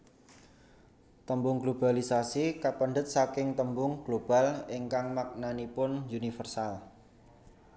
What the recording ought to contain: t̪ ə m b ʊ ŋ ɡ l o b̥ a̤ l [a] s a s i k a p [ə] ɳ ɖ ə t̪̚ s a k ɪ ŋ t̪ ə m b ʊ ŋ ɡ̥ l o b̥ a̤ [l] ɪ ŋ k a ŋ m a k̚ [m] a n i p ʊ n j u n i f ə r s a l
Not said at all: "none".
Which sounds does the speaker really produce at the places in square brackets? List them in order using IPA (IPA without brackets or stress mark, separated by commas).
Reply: i, ə, l, n